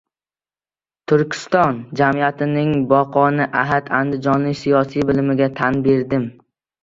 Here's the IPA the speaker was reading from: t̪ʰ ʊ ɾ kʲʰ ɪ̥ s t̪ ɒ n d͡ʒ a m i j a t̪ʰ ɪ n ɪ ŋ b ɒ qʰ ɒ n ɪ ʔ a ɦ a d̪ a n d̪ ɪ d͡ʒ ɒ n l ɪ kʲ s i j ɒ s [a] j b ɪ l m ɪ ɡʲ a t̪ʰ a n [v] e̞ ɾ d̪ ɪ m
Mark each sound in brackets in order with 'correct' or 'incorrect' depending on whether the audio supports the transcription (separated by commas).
incorrect, incorrect